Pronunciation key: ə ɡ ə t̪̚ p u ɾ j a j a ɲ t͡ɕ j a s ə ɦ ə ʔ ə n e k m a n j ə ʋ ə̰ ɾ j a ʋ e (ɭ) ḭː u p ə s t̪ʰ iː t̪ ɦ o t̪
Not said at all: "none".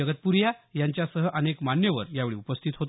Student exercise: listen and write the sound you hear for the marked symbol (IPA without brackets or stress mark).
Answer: ɭ